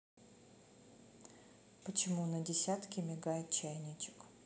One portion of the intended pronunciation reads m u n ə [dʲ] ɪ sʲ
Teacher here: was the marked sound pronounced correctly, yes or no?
yes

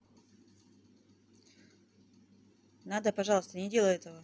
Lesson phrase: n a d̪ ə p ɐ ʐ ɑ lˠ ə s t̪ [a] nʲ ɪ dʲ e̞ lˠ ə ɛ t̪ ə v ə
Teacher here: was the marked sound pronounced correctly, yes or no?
no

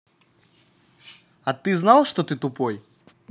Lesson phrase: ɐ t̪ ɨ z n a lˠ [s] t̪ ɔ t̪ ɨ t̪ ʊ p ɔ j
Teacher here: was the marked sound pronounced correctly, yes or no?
no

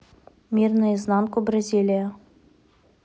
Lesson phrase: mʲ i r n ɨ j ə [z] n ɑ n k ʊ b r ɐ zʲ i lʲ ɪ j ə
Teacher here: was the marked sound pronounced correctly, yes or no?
yes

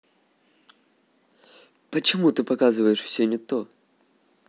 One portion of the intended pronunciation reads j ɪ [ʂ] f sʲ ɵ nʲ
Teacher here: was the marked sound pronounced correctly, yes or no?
yes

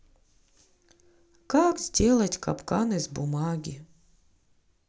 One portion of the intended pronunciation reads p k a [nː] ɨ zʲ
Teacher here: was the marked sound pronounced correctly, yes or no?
no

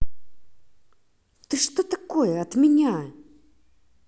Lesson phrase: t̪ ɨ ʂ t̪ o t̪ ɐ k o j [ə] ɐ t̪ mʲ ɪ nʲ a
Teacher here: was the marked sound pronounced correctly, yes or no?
yes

